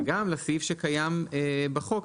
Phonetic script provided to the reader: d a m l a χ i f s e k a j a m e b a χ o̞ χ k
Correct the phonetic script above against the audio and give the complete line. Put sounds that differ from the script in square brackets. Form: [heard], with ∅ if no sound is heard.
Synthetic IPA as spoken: [ɡ] a m l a [s] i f [ʃ] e k a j a m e b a χ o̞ [∅] k